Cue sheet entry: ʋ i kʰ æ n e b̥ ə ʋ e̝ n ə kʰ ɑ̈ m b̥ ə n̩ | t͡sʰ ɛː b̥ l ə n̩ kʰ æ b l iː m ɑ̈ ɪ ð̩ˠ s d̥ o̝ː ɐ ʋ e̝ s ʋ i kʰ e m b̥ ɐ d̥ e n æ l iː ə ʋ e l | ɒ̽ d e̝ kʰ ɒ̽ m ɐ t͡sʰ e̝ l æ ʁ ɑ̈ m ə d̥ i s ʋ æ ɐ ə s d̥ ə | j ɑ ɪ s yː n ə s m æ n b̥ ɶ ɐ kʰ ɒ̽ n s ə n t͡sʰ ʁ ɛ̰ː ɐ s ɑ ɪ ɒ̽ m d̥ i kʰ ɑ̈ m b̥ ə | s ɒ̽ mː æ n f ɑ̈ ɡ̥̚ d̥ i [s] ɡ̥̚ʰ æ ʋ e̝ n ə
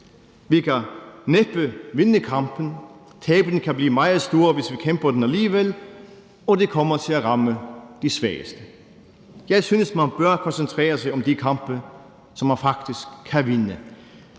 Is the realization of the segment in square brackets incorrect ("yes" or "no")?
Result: no